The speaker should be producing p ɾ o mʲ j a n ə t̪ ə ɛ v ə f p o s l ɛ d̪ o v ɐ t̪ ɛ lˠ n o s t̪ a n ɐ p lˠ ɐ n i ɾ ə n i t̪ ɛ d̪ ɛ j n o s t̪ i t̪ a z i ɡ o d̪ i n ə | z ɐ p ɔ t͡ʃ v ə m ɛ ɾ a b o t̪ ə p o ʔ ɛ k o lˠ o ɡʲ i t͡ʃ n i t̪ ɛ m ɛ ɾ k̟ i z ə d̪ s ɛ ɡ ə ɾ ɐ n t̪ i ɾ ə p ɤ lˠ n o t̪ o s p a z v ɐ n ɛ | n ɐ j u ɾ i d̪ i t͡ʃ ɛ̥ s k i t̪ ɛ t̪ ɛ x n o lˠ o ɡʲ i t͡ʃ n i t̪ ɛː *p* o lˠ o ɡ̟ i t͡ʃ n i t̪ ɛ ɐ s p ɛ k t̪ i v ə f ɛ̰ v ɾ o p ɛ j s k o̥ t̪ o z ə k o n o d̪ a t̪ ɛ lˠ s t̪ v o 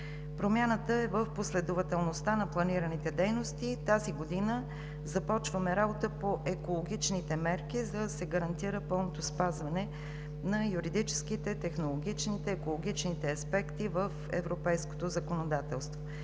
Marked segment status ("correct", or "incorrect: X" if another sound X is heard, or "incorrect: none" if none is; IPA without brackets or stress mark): incorrect: k